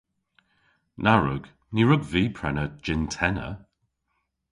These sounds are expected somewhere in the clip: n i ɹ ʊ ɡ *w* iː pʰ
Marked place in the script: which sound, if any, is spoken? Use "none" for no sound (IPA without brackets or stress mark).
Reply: v